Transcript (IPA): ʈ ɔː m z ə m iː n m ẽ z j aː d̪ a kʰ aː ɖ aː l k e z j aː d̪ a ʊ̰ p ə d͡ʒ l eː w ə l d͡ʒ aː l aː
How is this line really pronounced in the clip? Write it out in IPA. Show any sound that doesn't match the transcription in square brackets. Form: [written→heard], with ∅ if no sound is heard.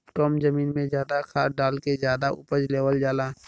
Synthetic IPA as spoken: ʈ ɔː m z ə m iː n m ẽ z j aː d̪ a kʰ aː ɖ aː l k e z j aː d̪ a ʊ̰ p ə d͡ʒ l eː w ə l d͡ʒ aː l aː